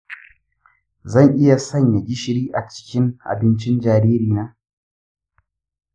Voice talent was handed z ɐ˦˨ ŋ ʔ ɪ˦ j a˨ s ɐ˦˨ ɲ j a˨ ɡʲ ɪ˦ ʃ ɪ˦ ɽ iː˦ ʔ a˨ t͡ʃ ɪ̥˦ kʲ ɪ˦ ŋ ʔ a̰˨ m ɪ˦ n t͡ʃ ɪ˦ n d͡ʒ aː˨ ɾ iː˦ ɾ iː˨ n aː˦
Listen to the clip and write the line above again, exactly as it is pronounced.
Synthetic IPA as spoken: z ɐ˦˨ ŋ ʔ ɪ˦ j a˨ s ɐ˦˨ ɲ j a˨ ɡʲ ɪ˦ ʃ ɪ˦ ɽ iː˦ ʔ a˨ t͡ʃ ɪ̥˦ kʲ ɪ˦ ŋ ʔ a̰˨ b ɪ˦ n t͡ʃ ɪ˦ n d͡ʒ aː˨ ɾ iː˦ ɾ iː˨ n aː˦